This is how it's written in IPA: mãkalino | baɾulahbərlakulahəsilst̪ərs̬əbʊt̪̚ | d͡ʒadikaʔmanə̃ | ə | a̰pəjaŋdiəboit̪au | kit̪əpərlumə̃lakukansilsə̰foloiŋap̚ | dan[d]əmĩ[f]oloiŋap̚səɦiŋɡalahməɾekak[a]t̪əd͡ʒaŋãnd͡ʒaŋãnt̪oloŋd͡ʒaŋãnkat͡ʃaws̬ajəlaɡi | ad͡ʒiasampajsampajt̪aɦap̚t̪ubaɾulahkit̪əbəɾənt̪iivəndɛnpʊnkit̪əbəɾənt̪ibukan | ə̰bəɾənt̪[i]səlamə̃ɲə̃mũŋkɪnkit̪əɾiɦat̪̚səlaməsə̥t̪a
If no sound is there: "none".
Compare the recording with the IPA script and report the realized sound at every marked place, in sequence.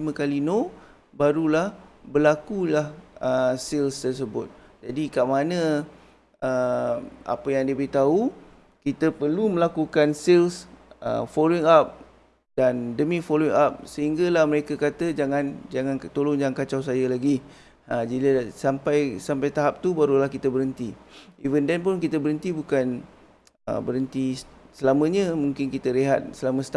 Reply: d, f, a, i

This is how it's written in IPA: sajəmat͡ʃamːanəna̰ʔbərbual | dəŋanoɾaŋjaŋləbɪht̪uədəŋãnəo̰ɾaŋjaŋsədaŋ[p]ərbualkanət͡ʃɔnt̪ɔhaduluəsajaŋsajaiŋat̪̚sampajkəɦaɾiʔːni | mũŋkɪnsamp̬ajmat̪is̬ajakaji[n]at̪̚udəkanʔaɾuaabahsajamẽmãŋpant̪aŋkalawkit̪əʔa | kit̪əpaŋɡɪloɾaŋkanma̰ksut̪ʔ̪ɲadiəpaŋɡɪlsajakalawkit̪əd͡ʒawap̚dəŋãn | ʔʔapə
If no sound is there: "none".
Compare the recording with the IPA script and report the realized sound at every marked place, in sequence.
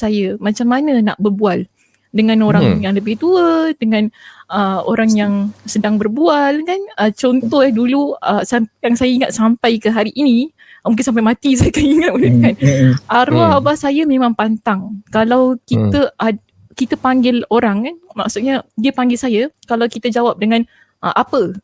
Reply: b, ŋ

